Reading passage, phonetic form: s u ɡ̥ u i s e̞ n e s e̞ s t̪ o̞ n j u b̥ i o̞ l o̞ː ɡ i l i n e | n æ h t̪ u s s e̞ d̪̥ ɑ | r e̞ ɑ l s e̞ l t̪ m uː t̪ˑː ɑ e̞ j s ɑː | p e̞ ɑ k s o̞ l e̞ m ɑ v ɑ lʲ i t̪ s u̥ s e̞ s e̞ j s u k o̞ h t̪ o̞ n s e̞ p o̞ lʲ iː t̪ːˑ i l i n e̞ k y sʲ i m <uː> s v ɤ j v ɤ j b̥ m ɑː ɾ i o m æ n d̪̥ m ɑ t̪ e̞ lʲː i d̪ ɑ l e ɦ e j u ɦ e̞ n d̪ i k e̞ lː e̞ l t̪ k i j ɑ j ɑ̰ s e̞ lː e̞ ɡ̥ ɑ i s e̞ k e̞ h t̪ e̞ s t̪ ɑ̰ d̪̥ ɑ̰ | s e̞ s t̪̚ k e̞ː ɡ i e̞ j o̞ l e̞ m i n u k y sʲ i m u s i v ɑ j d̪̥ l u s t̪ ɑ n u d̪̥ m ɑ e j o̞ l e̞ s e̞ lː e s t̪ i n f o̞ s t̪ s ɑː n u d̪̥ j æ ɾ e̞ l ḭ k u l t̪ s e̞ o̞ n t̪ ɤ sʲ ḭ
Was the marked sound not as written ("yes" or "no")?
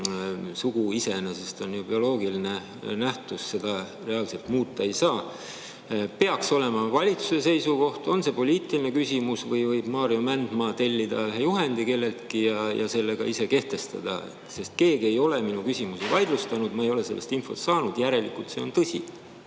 yes